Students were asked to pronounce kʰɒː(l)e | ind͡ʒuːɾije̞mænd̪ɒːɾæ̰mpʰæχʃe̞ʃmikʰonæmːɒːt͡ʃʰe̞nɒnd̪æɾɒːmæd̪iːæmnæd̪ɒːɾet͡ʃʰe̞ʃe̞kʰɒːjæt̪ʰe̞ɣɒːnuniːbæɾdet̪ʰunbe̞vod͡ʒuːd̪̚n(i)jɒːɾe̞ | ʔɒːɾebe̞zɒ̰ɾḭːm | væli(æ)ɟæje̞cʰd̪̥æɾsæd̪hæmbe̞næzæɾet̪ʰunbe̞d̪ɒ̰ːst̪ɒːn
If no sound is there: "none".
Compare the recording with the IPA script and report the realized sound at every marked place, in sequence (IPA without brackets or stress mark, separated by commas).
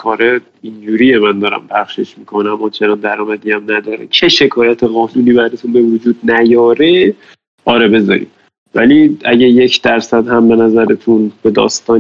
ɾ, æ, æ